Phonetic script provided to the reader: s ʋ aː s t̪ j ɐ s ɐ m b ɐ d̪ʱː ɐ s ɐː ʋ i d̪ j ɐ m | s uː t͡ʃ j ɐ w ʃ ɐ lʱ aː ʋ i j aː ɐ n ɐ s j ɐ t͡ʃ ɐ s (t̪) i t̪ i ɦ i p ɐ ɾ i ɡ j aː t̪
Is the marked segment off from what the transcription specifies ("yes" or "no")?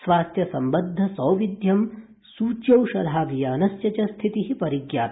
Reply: yes